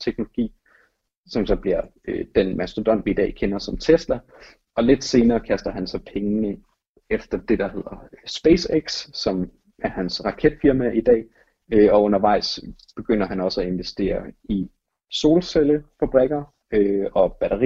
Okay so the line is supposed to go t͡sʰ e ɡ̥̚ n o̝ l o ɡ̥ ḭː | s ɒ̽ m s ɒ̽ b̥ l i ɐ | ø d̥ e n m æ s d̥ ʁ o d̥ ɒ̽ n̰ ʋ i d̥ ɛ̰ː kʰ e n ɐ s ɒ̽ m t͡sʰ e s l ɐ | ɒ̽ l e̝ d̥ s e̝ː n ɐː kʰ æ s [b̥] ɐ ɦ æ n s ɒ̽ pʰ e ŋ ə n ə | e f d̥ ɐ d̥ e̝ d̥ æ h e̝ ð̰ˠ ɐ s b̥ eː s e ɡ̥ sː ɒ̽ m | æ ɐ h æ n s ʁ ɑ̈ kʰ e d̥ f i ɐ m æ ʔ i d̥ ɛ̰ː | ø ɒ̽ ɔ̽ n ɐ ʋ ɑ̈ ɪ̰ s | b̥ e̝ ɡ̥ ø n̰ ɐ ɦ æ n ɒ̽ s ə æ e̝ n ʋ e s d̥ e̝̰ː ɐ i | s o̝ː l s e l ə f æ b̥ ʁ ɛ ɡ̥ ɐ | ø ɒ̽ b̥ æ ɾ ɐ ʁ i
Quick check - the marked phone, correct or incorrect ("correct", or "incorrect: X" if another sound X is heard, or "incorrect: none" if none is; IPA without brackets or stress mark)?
incorrect: d̥